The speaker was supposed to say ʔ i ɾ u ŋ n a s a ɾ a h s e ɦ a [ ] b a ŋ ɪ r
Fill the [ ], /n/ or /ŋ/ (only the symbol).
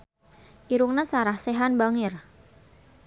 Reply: n